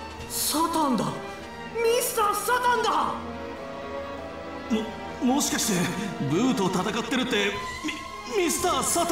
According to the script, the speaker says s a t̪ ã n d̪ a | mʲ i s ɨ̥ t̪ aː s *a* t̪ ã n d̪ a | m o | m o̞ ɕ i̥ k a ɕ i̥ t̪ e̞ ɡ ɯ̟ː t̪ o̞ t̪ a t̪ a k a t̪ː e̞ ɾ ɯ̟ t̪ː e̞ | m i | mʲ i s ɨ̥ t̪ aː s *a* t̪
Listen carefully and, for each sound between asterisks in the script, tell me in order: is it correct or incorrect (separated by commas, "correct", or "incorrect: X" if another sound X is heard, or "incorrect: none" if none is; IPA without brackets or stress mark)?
correct, correct